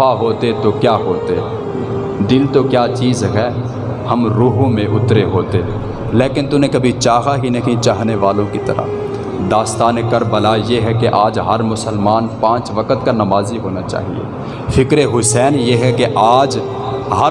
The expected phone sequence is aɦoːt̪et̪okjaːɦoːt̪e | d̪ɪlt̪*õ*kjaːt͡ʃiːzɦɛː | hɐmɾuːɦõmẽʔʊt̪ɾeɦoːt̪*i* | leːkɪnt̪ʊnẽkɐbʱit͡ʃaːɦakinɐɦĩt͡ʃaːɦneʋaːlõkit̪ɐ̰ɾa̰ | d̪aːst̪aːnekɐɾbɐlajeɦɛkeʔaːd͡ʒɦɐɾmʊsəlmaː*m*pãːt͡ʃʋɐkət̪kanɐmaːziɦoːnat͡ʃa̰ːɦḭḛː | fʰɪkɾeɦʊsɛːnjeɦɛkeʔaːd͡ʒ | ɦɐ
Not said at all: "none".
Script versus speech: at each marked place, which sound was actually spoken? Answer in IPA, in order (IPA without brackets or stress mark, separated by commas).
o, e, n